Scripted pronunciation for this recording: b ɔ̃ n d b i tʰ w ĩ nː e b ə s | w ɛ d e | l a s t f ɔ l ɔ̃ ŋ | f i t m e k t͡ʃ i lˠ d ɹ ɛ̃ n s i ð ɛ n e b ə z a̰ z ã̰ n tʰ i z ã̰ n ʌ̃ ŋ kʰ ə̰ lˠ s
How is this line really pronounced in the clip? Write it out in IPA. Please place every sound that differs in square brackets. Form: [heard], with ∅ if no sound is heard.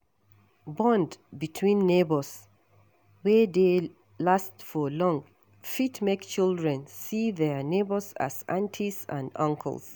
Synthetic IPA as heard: b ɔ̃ n d b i tʰ w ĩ nː e b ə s | w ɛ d e | l a s t f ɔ l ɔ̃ ŋ | f i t m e k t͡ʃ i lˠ d ɹ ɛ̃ n s i ð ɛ n e b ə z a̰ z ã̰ n tʰ i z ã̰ n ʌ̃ ŋ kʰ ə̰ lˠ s